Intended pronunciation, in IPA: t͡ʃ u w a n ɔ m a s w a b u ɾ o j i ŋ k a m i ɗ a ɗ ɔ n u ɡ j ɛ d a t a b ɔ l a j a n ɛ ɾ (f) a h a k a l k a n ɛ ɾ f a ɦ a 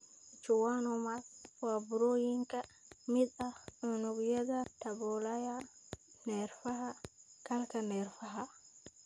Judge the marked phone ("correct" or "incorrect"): correct